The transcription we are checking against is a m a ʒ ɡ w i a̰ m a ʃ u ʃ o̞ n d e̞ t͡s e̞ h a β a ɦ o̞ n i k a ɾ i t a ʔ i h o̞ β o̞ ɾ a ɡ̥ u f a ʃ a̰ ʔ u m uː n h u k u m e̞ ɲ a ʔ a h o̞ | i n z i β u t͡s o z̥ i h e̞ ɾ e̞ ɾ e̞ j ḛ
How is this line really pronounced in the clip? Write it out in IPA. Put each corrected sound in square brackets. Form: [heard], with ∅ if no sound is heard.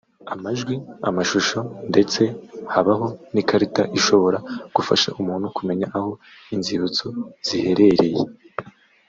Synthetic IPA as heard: a m a ʒ ɡ w i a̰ m a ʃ u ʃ o̞ n d e̞ t͡s e̞ h a β a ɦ o̞ n i k a ɾ i t a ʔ i [ʃ] o̞ β o̞ ɾ a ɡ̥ u f a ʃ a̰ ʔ u m uː n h u k u m e̞ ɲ a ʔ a h o̞ | i n z i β u t͡s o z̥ i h e̞ ɾ e̞ ɾ e̞ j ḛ